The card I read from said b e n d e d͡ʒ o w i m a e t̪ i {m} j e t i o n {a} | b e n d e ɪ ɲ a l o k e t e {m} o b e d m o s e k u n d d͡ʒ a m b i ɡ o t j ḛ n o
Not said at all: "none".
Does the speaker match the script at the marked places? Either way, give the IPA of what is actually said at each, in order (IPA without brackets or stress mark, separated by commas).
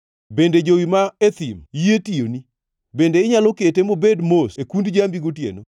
m, i, m